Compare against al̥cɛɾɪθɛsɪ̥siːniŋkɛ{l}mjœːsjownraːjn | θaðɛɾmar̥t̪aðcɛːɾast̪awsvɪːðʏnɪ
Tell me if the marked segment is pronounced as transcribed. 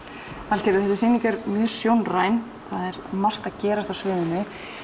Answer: no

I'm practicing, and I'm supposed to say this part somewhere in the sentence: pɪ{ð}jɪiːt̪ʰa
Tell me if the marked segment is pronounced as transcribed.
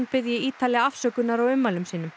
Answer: yes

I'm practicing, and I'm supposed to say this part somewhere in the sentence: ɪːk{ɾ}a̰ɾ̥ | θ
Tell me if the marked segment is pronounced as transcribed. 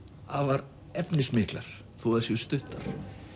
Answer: no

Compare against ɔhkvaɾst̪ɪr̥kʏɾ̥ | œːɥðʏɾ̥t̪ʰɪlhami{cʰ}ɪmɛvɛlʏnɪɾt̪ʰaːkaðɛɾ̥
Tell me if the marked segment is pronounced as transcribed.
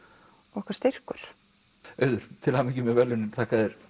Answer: no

